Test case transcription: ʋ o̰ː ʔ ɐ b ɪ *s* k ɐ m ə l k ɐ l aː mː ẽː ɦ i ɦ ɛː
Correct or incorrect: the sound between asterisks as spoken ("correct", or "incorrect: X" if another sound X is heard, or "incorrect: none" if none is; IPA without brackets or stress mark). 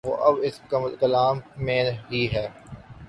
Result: correct